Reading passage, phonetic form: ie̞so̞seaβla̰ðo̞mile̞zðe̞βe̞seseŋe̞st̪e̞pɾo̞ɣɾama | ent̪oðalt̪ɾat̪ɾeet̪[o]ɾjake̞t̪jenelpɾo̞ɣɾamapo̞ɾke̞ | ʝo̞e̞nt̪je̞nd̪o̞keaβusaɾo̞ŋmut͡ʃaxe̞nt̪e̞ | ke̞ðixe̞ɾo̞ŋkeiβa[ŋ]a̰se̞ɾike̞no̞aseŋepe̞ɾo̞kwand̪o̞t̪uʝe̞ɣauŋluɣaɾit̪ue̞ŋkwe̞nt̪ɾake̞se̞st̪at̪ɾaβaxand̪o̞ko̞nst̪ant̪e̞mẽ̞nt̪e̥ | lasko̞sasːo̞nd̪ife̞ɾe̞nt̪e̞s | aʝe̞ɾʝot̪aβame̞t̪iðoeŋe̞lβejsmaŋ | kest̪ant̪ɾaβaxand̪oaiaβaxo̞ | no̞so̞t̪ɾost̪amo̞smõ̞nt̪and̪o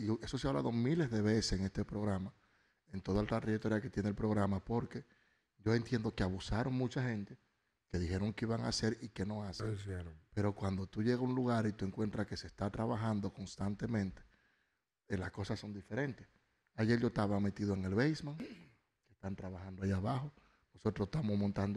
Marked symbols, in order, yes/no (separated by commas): yes, yes